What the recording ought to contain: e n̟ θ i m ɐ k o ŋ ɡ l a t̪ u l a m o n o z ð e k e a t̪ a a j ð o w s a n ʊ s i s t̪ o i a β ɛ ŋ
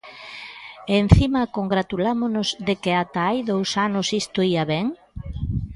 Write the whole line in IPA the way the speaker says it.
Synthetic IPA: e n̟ θ i m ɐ k o ŋ ɡ ɾ a t̪ u l a m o n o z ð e k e a t̪ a a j ð o w s a n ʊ s i s t̪ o i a β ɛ ŋ

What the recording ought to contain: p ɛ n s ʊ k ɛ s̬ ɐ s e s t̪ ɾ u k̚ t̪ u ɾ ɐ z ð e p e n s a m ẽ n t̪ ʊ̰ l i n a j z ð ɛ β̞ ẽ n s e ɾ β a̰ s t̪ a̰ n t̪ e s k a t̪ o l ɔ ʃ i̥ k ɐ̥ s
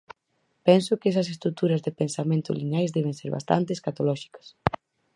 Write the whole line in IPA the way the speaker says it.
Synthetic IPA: p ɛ n s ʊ k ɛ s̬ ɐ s e s t̪ ɾ u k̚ t̪ u ɾ ɐ z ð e p e n s a m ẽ n t̪ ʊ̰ l i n a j z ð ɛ β̞ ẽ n s e ɾ β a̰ s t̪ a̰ n t̪ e s k a t̪ o l ɔ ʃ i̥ k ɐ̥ s

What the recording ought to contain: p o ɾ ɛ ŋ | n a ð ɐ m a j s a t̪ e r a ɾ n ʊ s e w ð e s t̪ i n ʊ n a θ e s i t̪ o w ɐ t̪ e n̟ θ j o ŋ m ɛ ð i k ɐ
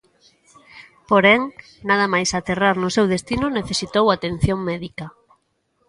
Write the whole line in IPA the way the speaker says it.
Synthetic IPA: p o ɾ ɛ ŋ | n a ð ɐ m a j s a t̪ e r a ɾ n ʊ s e w ð e s t̪ i n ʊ n e θ e s i t̪ o w a t̪ e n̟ θ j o ŋ m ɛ ð i k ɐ

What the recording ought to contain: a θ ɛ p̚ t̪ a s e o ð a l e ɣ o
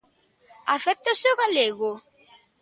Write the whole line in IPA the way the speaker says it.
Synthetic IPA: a θ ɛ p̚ t̪ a s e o ɣ a l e ɣ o

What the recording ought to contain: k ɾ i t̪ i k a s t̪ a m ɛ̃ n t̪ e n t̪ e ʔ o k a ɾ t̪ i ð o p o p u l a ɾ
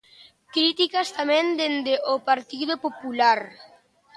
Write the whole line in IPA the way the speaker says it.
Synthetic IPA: k ɾ i t̪ i k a s t̪ a m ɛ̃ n d̪ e n d̪ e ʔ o p a ɾ t̪ i ð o p o p u l a ɾ

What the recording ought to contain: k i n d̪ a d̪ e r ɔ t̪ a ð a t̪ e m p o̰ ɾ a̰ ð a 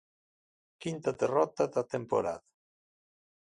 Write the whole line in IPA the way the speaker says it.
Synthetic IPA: k i n t̪ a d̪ e r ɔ t̪ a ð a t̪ e m p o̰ ɾ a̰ ð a

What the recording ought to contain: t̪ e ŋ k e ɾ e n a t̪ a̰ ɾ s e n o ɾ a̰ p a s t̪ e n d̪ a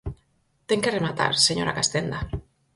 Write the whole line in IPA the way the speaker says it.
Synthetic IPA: t̪ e ŋ k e r e m a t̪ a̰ ɾ s e ɲ o ɾ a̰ k a s t̪ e n d̪ a

